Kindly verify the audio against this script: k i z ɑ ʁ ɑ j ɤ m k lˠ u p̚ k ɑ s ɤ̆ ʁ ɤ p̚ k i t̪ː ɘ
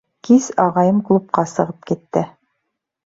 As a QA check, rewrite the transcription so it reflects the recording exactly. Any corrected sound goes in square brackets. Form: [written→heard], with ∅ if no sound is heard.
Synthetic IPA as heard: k i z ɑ ʁ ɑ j ɤ m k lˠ u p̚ [k→q] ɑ s ɤ̆ ʁ ɤ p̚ k i t̪ː ɘ